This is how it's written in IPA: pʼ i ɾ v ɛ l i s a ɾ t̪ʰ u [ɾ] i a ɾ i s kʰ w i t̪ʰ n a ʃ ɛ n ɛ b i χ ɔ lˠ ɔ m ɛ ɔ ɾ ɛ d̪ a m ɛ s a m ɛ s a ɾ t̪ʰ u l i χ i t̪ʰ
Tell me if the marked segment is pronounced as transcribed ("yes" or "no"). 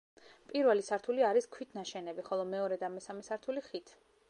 no